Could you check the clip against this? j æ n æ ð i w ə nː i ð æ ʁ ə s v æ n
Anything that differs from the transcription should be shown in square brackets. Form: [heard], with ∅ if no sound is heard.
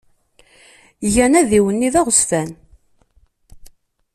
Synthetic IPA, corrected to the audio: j æ n æ ð i w ə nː i ð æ ʁ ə s [f] æ n